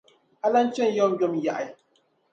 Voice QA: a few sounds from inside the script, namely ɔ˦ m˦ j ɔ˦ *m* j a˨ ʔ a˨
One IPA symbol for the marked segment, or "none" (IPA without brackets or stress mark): m